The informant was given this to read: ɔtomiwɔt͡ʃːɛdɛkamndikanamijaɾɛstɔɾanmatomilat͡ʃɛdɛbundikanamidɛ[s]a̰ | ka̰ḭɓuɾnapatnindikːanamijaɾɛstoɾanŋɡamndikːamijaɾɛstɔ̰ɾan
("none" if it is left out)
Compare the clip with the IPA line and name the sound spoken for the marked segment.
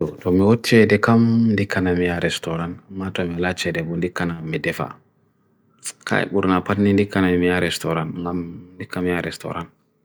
f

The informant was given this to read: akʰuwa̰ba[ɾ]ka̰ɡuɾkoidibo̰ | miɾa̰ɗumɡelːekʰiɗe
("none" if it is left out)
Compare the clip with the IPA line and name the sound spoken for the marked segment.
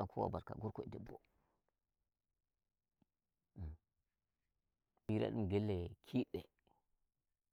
ɾ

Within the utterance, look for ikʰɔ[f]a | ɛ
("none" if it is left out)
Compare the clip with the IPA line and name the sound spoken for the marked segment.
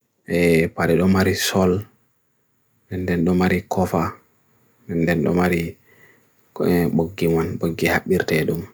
f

